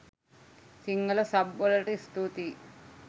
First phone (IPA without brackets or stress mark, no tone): s